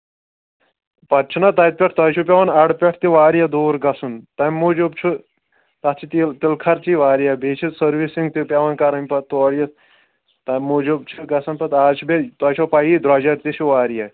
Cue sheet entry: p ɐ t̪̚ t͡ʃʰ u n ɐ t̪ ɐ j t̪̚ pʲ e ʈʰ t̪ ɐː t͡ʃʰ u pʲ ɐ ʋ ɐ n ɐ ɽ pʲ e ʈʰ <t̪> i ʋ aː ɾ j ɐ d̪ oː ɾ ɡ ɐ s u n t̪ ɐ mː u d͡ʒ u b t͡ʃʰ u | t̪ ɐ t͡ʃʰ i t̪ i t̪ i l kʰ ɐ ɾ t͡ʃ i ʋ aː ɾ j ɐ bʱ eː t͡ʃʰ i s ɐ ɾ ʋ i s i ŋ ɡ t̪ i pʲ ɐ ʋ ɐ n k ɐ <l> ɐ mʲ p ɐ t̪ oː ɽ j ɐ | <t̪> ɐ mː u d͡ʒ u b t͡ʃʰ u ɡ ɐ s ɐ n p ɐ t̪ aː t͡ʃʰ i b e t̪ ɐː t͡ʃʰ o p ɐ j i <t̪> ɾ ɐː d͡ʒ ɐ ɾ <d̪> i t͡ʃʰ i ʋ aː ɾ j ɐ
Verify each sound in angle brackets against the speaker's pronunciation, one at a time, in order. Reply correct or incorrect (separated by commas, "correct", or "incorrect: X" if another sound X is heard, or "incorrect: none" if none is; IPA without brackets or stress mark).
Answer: correct, incorrect: ɾ, correct, incorrect: d̪, incorrect: t̪